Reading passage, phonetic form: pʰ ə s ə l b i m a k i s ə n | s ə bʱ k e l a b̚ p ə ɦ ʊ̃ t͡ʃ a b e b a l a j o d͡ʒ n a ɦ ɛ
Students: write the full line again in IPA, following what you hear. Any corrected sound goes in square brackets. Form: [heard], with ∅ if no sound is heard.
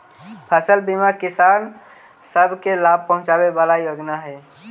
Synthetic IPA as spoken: pʰ ə s ə l b i m a k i s [a] n | s ə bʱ k e l a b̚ p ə ɦ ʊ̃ t͡ʃ a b e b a l a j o d͡ʒ n a ɦ ɛ

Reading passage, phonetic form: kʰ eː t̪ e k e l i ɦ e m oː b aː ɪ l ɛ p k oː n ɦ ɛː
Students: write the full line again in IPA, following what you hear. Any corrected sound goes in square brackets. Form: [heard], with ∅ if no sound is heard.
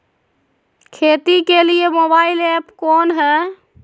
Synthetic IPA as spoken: kʰ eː t̪ [i] k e l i [∅] e m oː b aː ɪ l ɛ p k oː n ɦ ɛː

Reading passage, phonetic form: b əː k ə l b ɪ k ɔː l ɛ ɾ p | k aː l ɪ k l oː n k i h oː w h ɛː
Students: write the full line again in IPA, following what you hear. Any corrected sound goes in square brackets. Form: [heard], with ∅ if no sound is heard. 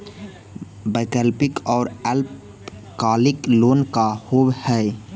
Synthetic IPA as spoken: b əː k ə l [p] ɪ k ɔː [ɾ] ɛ [l] p | k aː l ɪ k l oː n k [a] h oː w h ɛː

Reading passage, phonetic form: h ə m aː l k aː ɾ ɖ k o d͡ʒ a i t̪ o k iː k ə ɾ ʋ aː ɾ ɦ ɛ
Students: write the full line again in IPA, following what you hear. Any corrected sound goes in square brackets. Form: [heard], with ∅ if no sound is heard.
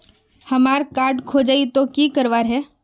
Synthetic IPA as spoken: h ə m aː [ɾ] k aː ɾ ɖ [kʰ] o d͡ʒ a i t̪ o k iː k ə ɾ ʋ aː ɾ ɦ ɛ

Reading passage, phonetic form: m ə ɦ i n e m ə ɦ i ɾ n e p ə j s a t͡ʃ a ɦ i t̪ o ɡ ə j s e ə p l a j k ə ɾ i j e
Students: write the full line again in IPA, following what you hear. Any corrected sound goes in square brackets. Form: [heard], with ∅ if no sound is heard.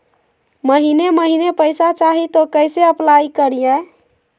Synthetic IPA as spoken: m ə ɦ i n e m ə ɦ i [∅] n e p ə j s a t͡ʃ a ɦ i t̪ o [k] ə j s e ə p l a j k ə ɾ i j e

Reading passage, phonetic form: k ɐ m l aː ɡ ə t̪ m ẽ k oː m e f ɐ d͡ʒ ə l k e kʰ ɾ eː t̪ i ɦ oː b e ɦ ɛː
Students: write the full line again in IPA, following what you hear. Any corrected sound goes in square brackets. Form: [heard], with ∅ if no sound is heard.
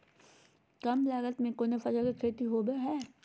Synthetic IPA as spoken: k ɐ m l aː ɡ ə t̪ m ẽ k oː [n] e f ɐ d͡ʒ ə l k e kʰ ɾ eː t̪ i ɦ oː b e ɦ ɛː

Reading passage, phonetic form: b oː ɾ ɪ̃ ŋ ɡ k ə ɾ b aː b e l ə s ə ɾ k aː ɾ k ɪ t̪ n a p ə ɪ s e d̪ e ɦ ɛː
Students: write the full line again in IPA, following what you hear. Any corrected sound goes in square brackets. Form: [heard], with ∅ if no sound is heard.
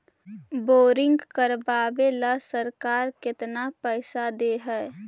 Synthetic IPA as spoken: b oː ɾ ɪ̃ ŋ ɡ k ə ɾ b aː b e l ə s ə ɾ k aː ɾ k ɪ t̪ n a p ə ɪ s [a] d̪ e ɦ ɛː

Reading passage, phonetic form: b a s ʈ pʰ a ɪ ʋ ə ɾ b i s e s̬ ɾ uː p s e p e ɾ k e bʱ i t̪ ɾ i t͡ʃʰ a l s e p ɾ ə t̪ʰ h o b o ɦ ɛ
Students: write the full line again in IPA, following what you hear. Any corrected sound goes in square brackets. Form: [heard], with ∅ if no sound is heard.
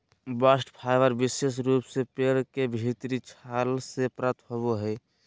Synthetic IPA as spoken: b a s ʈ pʰ a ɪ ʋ ə ɾ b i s e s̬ ɾ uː p s e p e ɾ k e bʱ i t̪ ɾ i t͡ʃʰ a l s e p ɾ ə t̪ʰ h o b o ɦ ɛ

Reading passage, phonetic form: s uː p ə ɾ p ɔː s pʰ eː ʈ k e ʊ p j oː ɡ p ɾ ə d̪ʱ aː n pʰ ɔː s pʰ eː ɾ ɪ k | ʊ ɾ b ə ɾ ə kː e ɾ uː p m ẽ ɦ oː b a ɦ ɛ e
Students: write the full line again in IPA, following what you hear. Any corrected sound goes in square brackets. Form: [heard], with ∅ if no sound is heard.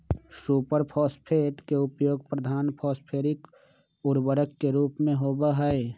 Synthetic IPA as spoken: s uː p ə ɾ [pʰ] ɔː s pʰ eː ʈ k e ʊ p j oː ɡ p ɾ ə d̪ʱ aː n pʰ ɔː s pʰ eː ɾ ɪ k | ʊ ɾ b ə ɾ ə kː e ɾ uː p m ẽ ɦ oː b a ɦ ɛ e

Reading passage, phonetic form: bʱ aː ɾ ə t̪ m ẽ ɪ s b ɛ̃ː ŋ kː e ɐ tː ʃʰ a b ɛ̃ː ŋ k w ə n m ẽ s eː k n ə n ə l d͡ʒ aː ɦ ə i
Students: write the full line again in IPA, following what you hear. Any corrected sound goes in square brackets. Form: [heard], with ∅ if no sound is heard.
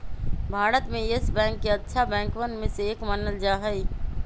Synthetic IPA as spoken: bʱ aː ɾ ə t̪ m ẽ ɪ s b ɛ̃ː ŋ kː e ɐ tː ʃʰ a b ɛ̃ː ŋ k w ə n m ẽ s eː k [m] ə n ə l d͡ʒ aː ɦ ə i

